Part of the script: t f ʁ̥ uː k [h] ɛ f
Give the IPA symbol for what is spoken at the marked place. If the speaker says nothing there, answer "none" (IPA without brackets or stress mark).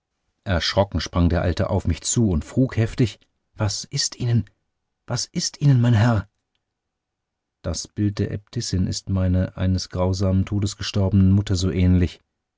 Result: h